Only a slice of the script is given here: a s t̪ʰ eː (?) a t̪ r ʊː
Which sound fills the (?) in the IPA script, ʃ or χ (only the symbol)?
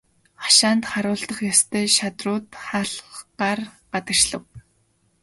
ʃ